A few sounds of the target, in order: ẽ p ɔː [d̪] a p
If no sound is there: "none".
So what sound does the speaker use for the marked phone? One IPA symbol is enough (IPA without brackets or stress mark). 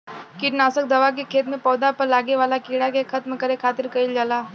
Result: d̪